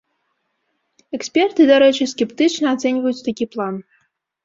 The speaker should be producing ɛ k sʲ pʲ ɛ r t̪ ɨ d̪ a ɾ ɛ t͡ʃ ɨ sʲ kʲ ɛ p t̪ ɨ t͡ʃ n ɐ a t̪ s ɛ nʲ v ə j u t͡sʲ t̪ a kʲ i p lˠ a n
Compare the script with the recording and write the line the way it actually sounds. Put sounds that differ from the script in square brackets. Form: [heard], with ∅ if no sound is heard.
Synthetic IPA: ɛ k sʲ pʲ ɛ r t̪ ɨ d̪ a ɾ ɛ t͡ʃ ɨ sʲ kʲ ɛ p t̪ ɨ t͡ʃ n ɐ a t̪ s ɛ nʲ v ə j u t͡sʲ t̪ a kʲ i p lˠ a n